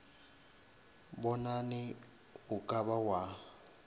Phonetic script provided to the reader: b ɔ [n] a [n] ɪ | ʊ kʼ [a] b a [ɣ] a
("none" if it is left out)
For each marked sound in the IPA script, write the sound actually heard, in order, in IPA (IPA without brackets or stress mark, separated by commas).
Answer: n, n, a, w